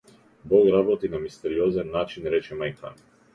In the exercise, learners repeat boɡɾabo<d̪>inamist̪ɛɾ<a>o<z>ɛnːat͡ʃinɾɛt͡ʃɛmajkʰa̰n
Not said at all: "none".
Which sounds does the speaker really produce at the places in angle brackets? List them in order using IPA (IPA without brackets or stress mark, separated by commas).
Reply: t̪, i, z